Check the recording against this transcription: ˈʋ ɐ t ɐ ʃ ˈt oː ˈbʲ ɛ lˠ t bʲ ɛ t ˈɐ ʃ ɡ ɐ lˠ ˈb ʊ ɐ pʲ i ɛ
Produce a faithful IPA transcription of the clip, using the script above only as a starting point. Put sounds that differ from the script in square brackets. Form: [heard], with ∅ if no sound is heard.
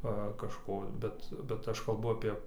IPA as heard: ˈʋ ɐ [k] ɐ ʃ [ˈk] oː ˈbʲ ɛ [∅] t bʲ ɛ t ˈɐ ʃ [k] ɐ lˠ ˈb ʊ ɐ pʲ i ɛ